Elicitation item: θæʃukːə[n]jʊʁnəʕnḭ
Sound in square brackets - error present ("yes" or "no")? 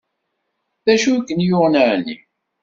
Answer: no